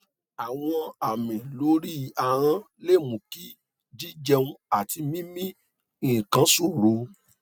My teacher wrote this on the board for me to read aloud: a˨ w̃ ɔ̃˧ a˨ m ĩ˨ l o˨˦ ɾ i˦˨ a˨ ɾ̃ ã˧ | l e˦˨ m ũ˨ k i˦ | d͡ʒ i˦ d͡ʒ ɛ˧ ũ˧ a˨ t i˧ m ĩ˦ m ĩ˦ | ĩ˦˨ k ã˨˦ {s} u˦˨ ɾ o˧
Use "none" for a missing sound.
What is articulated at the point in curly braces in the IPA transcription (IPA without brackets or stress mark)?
s